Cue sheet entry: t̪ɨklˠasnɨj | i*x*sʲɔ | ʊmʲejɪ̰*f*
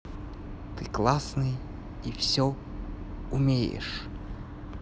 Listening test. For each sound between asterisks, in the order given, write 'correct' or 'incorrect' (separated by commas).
incorrect, incorrect